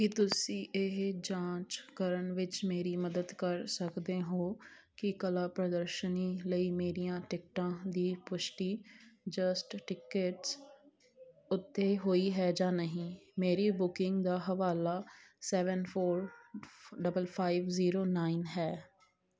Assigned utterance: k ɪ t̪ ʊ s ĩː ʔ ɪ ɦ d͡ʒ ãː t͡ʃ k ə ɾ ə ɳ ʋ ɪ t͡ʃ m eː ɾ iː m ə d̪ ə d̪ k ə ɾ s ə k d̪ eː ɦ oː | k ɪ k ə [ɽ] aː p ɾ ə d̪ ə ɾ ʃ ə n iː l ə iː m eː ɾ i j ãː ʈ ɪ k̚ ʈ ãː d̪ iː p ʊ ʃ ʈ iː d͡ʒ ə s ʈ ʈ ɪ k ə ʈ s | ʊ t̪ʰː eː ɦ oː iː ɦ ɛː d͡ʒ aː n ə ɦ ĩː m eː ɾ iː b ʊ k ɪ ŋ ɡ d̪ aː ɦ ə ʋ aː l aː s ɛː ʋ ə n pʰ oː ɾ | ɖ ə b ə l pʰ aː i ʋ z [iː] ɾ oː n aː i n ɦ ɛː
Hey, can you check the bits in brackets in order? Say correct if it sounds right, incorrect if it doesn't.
incorrect: l, correct

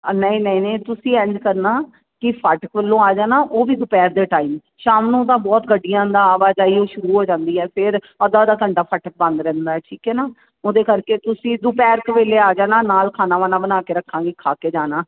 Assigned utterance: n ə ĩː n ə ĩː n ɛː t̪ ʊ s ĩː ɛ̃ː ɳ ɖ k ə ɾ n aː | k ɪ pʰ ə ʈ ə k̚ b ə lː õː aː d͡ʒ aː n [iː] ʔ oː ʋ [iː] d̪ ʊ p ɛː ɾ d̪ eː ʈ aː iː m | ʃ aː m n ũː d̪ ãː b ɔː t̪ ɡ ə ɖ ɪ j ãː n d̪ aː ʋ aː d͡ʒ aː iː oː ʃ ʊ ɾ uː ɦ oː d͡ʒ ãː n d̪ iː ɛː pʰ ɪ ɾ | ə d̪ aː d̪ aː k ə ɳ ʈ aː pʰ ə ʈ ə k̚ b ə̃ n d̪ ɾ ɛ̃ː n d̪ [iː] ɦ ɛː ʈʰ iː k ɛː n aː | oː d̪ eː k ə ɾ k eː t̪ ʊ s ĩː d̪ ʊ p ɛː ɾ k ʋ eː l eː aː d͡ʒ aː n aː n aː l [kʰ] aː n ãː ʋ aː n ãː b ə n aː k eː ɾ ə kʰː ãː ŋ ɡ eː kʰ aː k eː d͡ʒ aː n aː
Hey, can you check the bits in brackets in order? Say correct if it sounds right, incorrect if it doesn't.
incorrect: aː, correct, incorrect: aː, correct

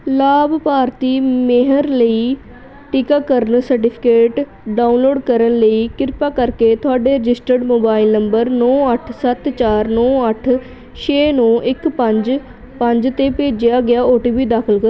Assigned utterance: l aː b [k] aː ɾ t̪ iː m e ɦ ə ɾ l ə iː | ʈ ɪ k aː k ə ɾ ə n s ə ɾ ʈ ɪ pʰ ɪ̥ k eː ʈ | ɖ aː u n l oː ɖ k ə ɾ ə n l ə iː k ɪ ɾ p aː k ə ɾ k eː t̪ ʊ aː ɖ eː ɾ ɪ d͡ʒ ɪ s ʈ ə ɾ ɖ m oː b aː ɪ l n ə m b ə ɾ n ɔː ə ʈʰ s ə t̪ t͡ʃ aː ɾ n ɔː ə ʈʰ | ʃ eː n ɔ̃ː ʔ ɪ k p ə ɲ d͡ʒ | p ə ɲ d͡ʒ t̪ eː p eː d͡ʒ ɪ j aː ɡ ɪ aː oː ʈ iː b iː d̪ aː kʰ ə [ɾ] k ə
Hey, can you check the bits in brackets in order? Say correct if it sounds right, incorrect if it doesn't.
incorrect: p, incorrect: l

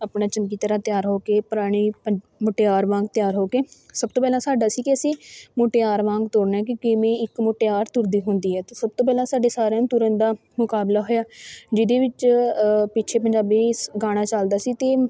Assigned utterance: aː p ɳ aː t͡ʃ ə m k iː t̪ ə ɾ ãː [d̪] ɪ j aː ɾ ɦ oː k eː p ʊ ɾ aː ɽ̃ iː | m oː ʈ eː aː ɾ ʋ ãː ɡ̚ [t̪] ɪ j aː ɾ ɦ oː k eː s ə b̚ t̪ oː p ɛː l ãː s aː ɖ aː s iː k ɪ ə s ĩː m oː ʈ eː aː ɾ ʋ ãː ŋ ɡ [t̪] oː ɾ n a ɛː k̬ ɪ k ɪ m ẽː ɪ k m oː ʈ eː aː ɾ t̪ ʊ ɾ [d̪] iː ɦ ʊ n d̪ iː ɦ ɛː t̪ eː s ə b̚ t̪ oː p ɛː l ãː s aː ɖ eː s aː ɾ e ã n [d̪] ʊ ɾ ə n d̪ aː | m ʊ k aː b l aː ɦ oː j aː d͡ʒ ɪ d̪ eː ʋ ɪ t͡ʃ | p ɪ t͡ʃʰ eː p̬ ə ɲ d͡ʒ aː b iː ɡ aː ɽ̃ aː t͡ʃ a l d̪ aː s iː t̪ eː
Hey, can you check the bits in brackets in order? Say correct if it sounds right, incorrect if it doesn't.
incorrect: t̪, correct, correct, correct, incorrect: t̪

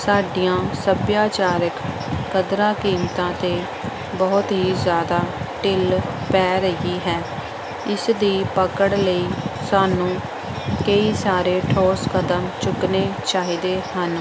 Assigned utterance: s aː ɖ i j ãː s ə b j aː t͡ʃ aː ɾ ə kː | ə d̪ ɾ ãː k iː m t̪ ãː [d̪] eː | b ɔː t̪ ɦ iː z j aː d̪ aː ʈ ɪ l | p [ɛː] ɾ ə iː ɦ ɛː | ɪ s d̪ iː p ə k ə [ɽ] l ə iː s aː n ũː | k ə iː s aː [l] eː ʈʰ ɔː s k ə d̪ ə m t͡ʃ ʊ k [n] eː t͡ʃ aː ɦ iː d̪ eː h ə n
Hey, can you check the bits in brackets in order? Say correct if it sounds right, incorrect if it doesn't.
incorrect: t̪, correct, correct, incorrect: ɾ, correct

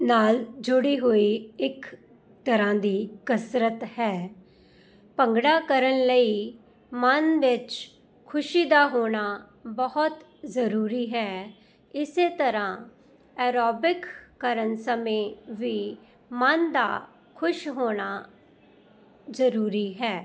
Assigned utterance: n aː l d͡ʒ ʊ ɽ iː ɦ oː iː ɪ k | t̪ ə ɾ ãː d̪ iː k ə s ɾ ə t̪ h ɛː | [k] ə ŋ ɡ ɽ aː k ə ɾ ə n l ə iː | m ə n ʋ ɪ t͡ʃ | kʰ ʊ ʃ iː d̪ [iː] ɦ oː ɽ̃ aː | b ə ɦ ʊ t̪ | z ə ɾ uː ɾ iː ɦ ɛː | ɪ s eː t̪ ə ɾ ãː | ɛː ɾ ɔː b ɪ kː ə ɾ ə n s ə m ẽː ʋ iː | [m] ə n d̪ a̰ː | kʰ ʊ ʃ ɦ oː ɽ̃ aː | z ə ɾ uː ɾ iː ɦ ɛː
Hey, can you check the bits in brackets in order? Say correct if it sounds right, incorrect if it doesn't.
incorrect: p, incorrect: aː, correct

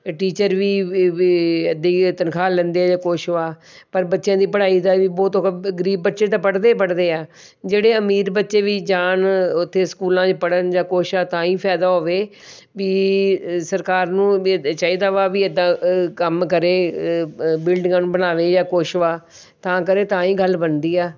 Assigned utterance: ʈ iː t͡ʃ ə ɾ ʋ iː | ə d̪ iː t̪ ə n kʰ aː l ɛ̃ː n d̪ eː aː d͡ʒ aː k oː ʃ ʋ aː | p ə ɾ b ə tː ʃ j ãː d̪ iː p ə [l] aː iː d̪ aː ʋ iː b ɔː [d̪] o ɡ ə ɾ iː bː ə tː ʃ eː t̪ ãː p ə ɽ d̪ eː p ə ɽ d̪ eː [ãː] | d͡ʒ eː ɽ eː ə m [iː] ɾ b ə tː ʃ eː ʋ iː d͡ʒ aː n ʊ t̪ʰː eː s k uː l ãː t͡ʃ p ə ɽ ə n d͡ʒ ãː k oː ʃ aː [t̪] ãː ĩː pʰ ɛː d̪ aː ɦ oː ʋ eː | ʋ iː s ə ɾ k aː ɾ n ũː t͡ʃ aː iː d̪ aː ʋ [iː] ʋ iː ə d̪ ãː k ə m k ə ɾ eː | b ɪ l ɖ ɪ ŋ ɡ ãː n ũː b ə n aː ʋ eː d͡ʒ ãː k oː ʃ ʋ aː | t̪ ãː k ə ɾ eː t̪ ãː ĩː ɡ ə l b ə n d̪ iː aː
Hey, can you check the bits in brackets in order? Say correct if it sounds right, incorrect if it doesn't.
incorrect: ɽ, incorrect: t̪, incorrect: aː, correct, correct, incorrect: aː

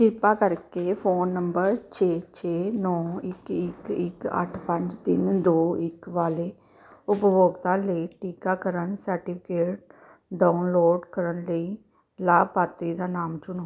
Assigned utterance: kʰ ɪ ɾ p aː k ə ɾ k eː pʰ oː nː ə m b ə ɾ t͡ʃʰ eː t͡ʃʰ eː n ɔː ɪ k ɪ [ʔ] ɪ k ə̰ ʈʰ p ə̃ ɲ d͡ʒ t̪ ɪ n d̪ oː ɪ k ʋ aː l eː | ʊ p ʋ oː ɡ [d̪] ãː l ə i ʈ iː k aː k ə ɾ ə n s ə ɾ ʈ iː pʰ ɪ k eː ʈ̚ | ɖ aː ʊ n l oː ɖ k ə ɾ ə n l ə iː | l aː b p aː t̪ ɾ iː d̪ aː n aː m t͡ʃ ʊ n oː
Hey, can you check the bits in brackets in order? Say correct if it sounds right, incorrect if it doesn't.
incorrect: k, incorrect: t̪

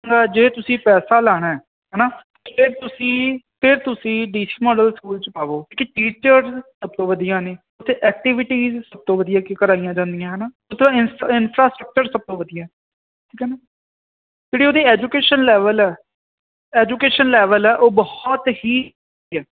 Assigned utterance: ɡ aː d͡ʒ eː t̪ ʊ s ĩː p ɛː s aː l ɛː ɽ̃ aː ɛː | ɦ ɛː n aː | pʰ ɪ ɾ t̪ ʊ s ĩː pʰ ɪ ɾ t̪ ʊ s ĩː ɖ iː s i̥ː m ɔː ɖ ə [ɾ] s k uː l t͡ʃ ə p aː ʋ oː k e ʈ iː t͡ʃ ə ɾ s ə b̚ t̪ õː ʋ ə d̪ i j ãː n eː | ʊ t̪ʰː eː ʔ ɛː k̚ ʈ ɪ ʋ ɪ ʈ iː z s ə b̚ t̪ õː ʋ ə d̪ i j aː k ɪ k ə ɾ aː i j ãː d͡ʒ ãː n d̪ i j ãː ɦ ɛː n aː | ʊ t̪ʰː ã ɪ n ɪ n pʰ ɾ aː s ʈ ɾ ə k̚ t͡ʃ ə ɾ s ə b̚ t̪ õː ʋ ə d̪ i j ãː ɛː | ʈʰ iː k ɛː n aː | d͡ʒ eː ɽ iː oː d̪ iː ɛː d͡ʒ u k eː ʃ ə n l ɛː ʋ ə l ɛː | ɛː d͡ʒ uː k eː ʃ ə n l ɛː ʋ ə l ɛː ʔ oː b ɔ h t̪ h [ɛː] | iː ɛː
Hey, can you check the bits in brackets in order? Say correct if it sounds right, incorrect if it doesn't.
incorrect: l, incorrect: iː

